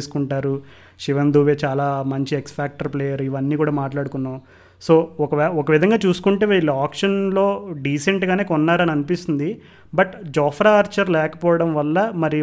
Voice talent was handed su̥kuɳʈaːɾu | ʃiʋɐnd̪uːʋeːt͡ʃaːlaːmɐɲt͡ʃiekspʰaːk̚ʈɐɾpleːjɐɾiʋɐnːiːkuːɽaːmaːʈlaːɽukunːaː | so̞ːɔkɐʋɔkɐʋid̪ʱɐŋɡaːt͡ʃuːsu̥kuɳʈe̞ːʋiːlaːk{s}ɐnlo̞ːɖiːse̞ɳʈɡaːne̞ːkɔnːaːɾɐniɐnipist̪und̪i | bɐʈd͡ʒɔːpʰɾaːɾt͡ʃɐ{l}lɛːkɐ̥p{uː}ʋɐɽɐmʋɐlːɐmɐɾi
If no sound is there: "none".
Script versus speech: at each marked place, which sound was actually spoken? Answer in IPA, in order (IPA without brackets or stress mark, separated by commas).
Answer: ʂ, ɾ, ɔː